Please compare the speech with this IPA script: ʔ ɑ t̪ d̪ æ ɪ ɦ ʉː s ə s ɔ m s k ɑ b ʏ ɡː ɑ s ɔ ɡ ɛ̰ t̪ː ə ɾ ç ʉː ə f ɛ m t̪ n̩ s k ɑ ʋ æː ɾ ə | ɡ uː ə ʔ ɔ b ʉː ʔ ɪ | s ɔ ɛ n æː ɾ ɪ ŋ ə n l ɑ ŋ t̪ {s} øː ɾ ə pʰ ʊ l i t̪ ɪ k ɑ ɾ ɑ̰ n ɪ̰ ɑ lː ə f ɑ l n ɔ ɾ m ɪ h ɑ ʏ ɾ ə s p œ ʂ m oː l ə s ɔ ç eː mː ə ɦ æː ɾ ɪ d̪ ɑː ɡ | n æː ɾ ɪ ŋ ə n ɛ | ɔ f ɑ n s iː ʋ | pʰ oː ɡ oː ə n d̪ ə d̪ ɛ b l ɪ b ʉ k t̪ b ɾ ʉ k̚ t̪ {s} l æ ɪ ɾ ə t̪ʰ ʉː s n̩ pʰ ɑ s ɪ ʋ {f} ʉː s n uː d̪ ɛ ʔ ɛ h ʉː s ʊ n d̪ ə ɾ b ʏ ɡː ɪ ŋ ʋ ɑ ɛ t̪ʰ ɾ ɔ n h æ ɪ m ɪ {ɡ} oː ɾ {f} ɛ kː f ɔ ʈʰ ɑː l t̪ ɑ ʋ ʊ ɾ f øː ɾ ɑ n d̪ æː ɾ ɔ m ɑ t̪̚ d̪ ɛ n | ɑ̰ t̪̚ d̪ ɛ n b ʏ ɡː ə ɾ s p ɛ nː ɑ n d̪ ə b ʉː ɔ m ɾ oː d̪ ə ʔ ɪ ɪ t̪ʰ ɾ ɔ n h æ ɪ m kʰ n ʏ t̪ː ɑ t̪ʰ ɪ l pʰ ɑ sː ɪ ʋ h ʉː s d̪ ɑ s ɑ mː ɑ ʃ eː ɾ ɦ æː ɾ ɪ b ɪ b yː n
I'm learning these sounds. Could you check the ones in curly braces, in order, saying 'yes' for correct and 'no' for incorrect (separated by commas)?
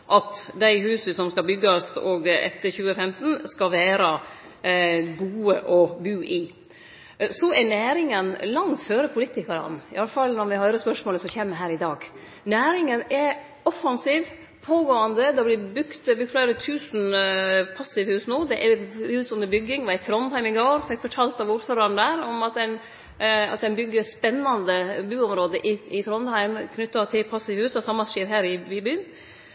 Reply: no, no, no, yes, yes